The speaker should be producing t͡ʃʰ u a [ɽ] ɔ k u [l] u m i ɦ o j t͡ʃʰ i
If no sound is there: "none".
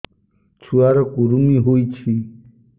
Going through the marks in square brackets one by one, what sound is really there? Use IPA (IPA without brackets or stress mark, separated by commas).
ɾ, ɾ